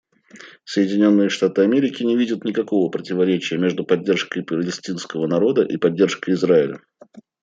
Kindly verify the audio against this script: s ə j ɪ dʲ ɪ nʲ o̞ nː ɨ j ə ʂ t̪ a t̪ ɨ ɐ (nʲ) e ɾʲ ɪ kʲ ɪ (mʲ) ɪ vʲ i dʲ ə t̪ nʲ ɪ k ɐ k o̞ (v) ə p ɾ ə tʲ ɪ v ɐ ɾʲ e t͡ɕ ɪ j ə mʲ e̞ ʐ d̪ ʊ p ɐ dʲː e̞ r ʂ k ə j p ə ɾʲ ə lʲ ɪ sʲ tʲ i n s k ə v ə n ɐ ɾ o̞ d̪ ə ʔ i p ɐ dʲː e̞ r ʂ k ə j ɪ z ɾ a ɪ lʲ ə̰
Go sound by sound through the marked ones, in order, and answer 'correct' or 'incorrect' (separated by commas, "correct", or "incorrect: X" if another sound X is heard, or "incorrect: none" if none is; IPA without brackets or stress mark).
incorrect: mʲ, incorrect: nʲ, correct